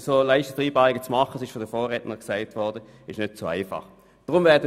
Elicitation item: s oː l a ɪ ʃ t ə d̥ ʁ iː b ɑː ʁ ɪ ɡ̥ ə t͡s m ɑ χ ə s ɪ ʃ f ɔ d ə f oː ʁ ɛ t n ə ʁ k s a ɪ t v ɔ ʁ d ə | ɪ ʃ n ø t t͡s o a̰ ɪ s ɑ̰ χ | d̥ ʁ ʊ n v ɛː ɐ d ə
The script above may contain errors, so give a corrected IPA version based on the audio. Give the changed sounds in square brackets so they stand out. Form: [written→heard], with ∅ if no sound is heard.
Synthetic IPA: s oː l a ɪ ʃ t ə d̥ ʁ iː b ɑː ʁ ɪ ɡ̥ ə t͡s m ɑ χ ə s ɪ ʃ f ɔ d ə f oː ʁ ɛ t n ə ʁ k s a ɪ t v ɔ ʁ d ə | ɪ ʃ n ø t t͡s o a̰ ɪ [s→f] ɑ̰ χ | d̥ ʁ ʊ [n→m] v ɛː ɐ d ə